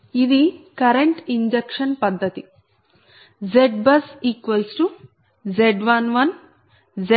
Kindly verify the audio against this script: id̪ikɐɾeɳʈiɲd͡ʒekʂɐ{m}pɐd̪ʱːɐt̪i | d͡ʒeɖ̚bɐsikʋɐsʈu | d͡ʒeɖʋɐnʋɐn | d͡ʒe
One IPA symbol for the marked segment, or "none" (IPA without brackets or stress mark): n